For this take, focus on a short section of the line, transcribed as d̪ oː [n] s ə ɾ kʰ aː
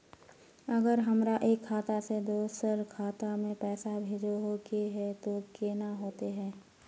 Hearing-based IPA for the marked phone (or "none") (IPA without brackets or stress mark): none